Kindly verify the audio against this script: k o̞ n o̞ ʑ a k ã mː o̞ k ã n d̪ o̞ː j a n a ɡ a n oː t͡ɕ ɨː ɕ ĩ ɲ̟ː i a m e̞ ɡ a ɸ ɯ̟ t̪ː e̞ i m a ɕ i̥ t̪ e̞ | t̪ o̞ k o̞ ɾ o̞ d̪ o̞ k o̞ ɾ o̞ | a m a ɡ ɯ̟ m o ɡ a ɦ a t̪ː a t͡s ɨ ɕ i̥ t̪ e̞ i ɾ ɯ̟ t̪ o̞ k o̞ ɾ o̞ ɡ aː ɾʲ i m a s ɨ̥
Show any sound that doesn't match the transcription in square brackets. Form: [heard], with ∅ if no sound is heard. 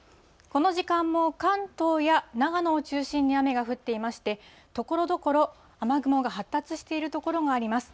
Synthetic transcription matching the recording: k o̞ n o̞ ʑ [i] k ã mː o̞ k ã n [t̪] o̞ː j a n a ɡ a n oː t͡ɕ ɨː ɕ ĩ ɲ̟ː i a m e̞ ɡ a ɸ ɯ̟ t̪ː e̞ i m a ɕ i̥ t̪ e̞ | t̪ o̞ k o̞ ɾ o̞ d̪ o̞ k o̞ ɾ o̞ | a m a ɡ ɯ̟ m o ɡ a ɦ a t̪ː a t͡s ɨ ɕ i̥ t̪ e̞ i ɾ ɯ̟ t̪ o̞ k o̞ ɾ o̞ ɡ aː ɾʲ i m a s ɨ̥

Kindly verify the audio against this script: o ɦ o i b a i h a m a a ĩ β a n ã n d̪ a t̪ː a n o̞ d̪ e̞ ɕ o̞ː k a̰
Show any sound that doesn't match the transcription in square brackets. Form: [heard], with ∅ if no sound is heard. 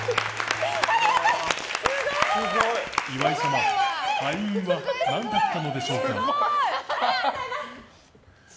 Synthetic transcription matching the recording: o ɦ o i [β] a i [s] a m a a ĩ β a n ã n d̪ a t̪ː a n o̞ d̪ e̞ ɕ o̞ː k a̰

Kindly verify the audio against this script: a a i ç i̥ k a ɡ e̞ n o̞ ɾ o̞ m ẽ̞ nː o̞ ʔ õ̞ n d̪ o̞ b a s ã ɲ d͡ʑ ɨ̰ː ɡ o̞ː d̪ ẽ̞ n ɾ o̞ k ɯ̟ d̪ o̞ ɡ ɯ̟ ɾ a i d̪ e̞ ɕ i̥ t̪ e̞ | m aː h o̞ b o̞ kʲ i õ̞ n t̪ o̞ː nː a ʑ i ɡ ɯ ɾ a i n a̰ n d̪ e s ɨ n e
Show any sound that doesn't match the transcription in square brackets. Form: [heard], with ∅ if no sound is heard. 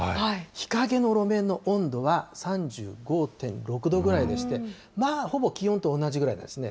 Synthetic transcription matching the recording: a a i ç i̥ k a ɡ e̞ n o̞ ɾ o̞ m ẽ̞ nː o̞ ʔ õ̞ n d̪ o̞ [β] a s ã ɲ d͡ʑ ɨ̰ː ɡ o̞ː [t̪] ẽ̞ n ɾ o̞ k ɯ̟ d̪ o̞ ɡ ɯ̟ ɾ a i d̪ e̞ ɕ i̥ t̪ e̞ | m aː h o̞ b o̞ kʲ i õ̞ n t̪ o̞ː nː a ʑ i ɡ ɯ ɾ a i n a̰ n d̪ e s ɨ n e

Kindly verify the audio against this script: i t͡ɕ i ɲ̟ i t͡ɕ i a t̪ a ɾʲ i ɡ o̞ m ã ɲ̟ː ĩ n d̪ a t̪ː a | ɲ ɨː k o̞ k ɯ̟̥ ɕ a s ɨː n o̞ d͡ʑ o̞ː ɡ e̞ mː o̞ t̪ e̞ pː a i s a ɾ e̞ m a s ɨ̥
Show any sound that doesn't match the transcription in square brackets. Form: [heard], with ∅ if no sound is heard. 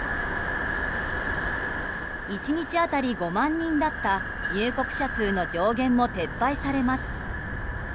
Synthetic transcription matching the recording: i t͡ɕ i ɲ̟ i t͡ɕ i a t̪ a ɾʲ i ɡ o̞ m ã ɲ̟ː ĩ n d̪ a t̪ː a | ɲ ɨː k o̞ k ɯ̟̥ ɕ a s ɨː n o̞ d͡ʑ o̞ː ɡ [ẽ̞] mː o̞ t̪ e̞ pː a i s a ɾ e̞ m a s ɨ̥

